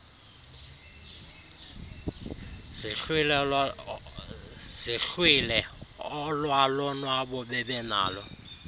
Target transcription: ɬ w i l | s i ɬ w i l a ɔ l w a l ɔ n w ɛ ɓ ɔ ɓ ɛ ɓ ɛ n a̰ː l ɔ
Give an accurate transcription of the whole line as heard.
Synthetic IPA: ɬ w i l | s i ɬ w i l ɛ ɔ l w a l ɔ n w a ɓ ɔ ɓ ɛ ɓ ɛ n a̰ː l ɔ